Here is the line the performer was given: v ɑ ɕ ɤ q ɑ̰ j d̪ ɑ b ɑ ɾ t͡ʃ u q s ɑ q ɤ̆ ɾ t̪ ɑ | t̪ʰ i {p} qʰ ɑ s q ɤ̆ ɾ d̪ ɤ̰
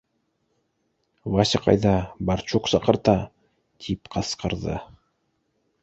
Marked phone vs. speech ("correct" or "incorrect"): correct